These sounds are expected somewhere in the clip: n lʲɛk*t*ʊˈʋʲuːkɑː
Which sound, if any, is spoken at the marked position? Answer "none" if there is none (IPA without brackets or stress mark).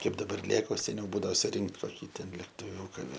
t